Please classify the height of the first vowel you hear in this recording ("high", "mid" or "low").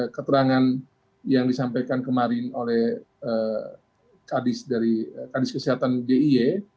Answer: mid